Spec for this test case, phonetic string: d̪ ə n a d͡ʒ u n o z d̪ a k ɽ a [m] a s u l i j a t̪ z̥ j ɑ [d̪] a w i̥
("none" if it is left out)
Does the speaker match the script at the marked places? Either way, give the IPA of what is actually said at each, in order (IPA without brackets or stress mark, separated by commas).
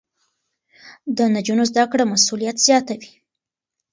m, t̪